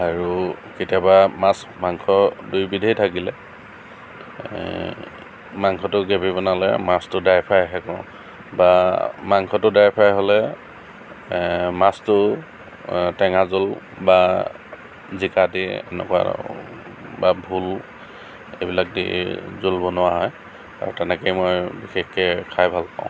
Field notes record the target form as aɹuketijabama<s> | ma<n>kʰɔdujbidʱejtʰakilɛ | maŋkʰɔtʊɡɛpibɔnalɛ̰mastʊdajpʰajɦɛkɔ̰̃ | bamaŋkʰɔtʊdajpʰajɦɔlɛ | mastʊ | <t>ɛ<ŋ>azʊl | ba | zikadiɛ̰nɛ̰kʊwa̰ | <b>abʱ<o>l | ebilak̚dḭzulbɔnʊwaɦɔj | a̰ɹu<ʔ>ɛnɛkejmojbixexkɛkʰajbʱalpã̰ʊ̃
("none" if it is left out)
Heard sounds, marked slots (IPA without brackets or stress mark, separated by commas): s, ŋ, t, ŋ, b, u, t